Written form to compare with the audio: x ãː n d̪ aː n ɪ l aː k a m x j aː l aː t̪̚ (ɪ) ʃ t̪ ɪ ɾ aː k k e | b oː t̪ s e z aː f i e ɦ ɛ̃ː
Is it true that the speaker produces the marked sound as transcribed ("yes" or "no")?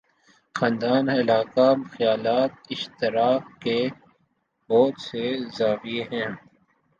yes